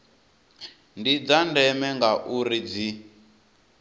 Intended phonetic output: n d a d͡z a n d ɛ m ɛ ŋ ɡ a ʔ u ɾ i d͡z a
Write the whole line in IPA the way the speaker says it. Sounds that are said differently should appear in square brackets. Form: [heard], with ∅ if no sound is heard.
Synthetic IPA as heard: n d [i] d͡z a n d ɛ m ɛ ŋ ɡ a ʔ u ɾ i d͡z [i]

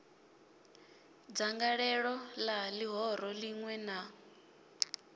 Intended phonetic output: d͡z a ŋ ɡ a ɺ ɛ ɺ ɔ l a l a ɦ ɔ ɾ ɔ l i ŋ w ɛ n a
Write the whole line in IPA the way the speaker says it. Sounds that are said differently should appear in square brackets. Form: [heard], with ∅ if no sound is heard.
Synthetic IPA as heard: d͡z a ŋ ɡ a ɺ ɛ ɺ ɔ l a l [i] ɦ ɔ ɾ ɔ l i ŋ w ɛ n a

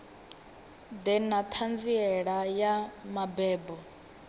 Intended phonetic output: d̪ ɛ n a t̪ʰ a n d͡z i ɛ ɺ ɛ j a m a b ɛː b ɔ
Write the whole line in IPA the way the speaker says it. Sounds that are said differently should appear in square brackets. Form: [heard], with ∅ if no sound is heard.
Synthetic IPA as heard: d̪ ɛ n a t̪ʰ a n d͡z i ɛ ɺ [a] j a m a b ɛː b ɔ

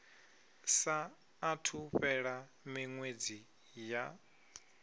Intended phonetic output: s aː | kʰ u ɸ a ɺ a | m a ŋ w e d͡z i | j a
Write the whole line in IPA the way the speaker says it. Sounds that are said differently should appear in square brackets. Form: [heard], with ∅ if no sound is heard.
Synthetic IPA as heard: s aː | [tʰ] u ɸ [ɛ] ɺ a | m [i] ŋ w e d͡z i | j a

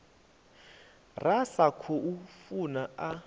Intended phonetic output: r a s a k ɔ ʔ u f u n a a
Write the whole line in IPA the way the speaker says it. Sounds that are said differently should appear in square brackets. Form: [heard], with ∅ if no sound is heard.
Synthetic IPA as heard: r a s a [kʰ] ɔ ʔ u f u n a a

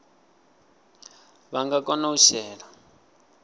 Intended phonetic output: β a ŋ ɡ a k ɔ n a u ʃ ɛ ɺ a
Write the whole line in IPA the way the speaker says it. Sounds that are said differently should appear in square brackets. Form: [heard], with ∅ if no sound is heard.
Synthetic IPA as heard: β a ŋ ɡ a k ɔ n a u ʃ [ɛː] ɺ a

